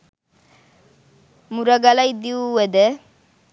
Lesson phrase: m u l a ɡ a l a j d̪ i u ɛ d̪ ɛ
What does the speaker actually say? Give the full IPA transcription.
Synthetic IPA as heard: m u ɾ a ɡ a l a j d̪ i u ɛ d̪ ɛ